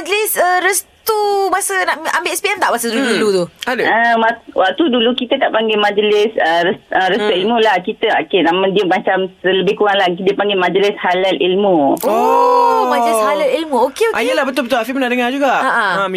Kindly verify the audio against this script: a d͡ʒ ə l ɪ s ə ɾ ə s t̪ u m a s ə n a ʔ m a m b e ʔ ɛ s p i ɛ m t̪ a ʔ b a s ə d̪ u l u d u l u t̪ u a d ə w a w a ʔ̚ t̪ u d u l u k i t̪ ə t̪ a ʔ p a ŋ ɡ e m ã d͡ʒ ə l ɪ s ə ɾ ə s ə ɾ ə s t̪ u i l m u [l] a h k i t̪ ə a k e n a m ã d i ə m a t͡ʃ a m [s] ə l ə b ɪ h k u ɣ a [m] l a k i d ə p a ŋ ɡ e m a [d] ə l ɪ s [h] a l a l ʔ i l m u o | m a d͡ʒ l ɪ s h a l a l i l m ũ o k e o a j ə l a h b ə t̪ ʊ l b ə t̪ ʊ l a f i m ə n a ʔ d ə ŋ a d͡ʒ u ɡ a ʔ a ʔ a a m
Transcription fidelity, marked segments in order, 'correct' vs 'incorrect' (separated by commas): correct, correct, incorrect, incorrect, correct